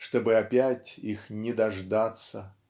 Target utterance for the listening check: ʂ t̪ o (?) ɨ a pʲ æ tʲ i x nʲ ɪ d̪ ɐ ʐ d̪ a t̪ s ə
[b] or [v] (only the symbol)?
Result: b